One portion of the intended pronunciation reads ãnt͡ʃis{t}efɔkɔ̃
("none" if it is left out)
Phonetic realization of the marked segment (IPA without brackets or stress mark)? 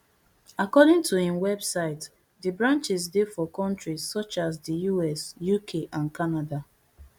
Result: d